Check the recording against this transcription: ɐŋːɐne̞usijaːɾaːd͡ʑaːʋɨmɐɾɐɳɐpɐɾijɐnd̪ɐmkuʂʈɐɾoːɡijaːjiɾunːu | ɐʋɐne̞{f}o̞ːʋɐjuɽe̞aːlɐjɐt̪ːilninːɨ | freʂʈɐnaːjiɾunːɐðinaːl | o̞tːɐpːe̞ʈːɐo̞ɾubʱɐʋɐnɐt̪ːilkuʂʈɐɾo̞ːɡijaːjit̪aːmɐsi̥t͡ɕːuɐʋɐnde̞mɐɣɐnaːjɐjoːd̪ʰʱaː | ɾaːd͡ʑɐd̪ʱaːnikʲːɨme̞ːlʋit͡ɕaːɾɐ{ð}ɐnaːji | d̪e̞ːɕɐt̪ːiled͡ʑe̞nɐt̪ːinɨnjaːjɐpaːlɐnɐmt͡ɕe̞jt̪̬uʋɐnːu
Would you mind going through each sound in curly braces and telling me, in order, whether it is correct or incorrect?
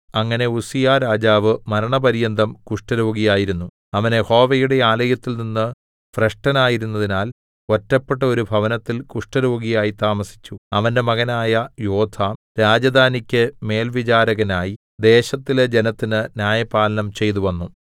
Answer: incorrect, incorrect

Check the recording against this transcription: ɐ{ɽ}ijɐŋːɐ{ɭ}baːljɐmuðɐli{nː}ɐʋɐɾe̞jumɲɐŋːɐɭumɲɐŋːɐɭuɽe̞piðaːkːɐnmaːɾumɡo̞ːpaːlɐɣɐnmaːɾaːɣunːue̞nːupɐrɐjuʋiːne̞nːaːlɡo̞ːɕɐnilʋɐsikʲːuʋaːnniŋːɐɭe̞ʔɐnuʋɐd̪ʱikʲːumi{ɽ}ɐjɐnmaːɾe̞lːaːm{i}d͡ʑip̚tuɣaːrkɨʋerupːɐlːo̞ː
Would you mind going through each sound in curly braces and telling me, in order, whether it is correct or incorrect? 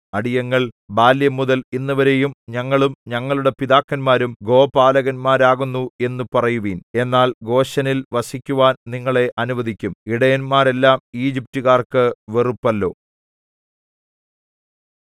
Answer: correct, correct, correct, correct, incorrect

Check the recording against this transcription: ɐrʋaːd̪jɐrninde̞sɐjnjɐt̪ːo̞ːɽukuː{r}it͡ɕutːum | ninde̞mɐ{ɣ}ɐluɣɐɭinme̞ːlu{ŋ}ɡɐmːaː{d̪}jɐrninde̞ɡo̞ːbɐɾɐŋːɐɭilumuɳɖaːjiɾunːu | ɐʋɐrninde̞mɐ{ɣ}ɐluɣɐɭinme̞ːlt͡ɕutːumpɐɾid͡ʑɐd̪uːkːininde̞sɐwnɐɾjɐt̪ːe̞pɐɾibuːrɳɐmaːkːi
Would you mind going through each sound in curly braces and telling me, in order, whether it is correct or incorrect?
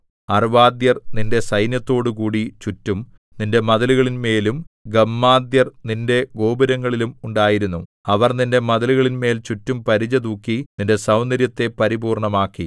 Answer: incorrect, incorrect, incorrect, correct, incorrect

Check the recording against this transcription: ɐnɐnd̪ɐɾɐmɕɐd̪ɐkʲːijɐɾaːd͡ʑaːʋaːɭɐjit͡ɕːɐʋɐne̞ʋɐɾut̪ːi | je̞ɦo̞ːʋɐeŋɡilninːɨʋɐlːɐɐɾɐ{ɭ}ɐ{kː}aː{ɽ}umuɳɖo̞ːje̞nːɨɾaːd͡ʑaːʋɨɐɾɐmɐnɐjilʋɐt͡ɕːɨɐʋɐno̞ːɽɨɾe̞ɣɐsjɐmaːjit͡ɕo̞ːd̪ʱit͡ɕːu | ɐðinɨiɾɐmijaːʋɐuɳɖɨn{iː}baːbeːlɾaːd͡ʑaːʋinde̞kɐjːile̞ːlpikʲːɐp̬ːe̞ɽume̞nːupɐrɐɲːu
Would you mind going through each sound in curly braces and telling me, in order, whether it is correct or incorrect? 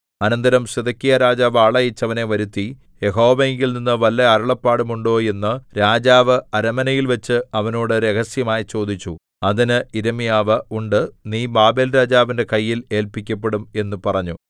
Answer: correct, incorrect, correct, correct

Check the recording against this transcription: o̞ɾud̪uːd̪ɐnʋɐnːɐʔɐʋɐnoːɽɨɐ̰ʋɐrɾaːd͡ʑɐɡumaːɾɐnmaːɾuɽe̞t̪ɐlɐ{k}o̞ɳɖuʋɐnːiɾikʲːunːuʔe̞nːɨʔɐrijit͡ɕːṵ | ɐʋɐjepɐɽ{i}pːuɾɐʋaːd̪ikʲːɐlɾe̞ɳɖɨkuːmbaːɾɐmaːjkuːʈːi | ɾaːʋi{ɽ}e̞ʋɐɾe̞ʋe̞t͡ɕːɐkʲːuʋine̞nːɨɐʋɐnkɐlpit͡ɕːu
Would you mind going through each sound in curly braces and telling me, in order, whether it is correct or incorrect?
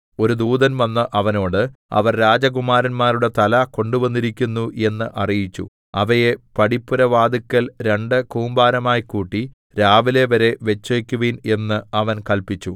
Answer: correct, correct, incorrect

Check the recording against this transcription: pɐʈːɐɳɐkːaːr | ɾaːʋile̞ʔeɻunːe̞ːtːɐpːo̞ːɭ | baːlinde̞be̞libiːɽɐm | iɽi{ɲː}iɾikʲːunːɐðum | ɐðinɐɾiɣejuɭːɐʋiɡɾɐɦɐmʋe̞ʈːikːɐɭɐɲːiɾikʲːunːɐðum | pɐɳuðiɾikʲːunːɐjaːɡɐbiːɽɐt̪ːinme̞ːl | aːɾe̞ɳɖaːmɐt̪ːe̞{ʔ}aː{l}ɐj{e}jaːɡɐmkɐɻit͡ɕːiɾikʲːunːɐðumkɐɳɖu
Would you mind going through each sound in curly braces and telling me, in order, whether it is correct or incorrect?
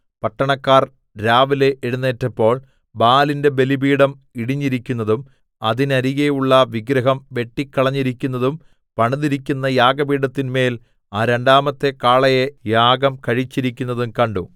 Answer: correct, incorrect, incorrect, correct

